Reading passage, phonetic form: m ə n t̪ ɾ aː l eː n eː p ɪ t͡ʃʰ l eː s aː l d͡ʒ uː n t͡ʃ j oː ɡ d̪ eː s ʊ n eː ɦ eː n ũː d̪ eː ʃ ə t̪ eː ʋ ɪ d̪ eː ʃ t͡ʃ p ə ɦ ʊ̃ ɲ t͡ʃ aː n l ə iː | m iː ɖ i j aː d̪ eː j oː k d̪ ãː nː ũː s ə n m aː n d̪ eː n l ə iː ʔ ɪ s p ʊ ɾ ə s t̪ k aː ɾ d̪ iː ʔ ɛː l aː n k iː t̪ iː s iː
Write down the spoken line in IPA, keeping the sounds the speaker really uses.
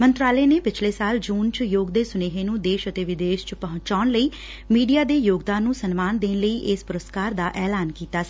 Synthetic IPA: m ə n t̪ ɾ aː l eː n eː p ɪ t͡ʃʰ l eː s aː l d͡ʒ uː n t͡ʃ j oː ɡ d̪ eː s ʊ n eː ɦ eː n ũː d̪ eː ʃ ə t̪ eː ʋ ɪ d̪ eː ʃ t͡ʃ p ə ɦ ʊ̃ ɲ t͡ʃ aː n l ə iː | m iː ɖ i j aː d̪ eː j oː ɡ d̪ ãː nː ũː s ə n m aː n d̪ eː n l ə iː ʔ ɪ s p ʊ ɾ ə s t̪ k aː ɾ d̪ aː ʔ ɛː l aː n k iː t̪ aː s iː